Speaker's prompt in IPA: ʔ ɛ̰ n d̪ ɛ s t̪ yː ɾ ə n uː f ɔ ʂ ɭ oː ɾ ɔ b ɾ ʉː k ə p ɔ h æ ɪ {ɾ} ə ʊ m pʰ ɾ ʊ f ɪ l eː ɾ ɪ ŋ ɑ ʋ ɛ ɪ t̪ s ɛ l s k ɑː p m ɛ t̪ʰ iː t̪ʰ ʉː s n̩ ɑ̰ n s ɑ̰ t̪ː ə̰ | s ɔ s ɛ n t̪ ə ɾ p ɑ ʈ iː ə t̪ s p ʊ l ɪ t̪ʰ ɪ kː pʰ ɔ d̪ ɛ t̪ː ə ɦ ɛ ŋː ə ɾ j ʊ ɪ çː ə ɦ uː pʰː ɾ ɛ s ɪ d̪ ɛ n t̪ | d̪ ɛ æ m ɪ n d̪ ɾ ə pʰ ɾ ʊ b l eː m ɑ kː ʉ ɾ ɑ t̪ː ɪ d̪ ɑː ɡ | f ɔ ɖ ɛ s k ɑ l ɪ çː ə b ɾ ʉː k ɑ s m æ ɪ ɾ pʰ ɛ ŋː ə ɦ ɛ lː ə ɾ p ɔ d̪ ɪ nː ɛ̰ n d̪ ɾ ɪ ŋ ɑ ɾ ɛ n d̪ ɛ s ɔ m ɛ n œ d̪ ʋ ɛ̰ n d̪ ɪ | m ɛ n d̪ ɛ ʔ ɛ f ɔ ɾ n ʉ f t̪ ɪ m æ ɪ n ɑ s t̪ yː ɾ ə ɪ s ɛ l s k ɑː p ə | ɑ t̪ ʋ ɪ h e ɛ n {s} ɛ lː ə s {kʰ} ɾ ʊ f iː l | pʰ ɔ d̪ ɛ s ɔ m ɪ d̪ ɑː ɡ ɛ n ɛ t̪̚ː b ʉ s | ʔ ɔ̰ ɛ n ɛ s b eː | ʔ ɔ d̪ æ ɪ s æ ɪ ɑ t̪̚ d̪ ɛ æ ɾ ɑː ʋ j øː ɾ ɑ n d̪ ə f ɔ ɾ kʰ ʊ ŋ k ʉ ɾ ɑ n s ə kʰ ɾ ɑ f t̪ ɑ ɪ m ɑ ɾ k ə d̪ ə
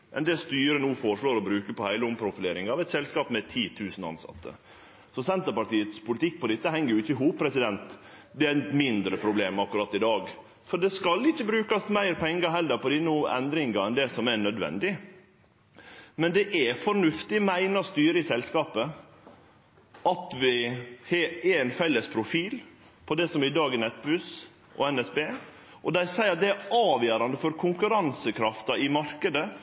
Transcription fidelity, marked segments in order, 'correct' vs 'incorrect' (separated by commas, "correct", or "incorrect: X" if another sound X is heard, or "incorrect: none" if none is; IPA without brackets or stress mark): incorrect: l, incorrect: f, incorrect: pʰ